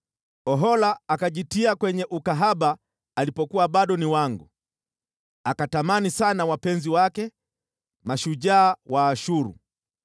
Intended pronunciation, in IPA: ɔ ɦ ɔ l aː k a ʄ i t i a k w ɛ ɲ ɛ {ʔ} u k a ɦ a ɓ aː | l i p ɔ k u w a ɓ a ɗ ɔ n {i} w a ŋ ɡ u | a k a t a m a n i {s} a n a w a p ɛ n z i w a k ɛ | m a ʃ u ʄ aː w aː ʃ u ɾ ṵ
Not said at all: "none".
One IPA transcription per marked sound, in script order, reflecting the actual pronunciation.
ʔ, i, s

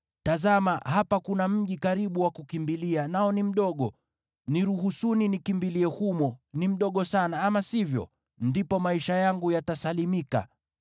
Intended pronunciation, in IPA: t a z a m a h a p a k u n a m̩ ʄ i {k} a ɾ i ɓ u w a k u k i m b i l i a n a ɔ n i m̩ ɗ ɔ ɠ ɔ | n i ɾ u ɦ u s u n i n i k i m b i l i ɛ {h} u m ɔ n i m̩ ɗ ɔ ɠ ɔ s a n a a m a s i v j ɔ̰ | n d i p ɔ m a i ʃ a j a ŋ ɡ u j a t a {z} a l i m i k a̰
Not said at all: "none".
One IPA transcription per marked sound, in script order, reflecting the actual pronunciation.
k, h, s

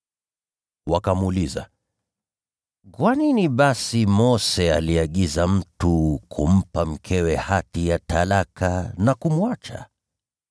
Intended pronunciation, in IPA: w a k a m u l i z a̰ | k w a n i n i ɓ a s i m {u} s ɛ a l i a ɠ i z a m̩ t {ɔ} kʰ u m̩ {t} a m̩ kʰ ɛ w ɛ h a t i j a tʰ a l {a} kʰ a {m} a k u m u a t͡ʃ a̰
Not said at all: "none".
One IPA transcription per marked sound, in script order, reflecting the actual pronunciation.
ɔ, u, p, a, n

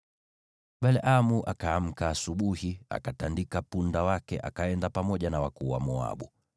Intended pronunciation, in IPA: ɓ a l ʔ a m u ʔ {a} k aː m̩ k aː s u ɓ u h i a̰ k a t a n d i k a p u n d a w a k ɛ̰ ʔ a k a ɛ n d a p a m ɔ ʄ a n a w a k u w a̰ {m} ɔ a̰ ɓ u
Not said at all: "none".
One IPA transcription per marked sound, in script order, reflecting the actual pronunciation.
a, m

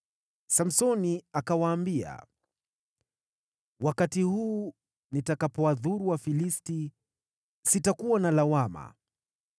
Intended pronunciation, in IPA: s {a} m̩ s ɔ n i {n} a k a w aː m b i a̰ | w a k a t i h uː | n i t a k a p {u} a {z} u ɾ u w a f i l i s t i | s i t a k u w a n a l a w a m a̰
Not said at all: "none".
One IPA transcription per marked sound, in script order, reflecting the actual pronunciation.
a, none, ɔ, ð

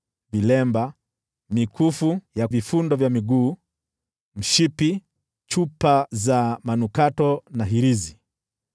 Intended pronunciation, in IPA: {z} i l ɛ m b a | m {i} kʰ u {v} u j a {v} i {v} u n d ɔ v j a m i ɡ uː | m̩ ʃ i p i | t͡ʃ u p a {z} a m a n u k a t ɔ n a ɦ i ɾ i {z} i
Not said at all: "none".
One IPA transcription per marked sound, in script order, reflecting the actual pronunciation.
v, i, f, v, f, z, z

